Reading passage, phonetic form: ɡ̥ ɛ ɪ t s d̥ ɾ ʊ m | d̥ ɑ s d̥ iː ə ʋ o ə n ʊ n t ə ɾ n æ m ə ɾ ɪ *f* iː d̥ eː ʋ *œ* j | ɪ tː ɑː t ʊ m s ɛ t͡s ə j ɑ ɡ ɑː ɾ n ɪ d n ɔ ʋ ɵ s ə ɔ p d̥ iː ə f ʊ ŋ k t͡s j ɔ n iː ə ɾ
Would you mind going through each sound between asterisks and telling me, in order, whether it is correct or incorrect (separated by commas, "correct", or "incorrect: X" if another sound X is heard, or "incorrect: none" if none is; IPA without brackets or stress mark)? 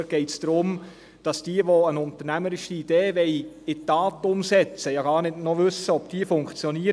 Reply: incorrect: ʃ, incorrect: ɛ